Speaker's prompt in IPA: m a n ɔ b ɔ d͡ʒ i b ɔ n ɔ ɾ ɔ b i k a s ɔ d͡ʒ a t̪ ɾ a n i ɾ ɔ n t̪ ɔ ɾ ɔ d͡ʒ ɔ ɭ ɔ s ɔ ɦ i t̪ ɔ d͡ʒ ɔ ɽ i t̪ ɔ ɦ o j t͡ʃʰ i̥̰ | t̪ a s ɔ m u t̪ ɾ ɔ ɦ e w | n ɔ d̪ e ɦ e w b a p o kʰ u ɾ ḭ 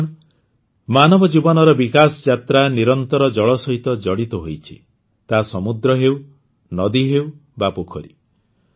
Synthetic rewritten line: m a n ɔ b ɔ d͡ʒ i b ɔ n ɔ ɾ ɔ b i k a s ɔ d͡ʒ a t̪ ɾ a n i ɾ ɔ n t̪ ɔ ɾ ɔ d͡ʒ ɔ ɭ ɔ s ɔ ɦ i t̪ ɔ d͡ʒ ɔ ɽ i t̪ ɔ ɦ o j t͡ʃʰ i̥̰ | t̪ a s ɔ m u d̪ ɾ ɔ ɦ e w | n ɔ d̪ i ɦ e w b a p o kʰ ɔ ɾ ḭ

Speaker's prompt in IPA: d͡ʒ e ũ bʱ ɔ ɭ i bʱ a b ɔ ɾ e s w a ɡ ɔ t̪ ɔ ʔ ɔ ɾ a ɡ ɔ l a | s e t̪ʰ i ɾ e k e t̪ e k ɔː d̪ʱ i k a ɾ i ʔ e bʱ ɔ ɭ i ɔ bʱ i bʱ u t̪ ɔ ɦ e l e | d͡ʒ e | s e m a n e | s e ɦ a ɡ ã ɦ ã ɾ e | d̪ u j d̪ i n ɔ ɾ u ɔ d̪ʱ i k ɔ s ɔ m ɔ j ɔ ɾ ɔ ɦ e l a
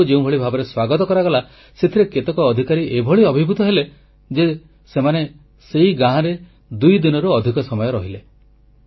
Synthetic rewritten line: d͡ʒ e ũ bʱ ɔ ɭ i bʱ a b ɔ ɾ e s w a ɡ ɔ t̪ ɔ k ɔ ɾ a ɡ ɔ l a | s e t̪ʰ i ɾ e k e t̪ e k ɔː d̪ʱ i k a ɾ i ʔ e bʱ ɔ ɭ i ɔ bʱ i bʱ u t̪ ɔ ɦ e l e | d͡ʒ e | s e m a n e | s e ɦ i ɡ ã ɦ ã ɾ e | d̪ u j d̪ i n ɔ ɾ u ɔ d̪ʱ i k ɔ s ɔ m ɔ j ɔ ɾ ɔ ɦ i l e

